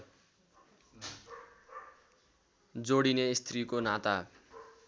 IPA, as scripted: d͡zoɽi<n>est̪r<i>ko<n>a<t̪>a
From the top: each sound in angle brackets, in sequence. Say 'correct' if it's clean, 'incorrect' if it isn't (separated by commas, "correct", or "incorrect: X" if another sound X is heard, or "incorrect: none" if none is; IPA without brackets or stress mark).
correct, correct, correct, correct